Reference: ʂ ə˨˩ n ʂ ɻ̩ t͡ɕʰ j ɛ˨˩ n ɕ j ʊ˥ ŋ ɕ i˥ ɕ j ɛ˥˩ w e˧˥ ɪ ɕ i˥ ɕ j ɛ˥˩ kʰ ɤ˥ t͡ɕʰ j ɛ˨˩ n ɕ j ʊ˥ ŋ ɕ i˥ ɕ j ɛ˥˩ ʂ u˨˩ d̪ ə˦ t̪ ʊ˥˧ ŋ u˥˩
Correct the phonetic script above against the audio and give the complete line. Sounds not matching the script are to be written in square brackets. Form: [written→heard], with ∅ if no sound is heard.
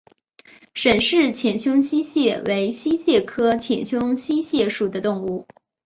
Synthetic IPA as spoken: ʂ ə˨˩ n ʂ ɻ̩ t͡ɕʰ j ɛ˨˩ n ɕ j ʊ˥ ŋ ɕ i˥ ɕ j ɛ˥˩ w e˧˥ ɪ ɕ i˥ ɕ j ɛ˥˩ kʰ ɤ˥ t͡ɕʰ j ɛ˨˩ n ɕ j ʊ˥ ŋ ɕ i˥ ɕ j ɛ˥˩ ʂ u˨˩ d̪ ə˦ t̪ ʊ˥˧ ŋ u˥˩